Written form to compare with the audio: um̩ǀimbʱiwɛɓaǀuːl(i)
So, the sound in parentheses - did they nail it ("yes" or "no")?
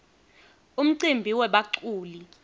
yes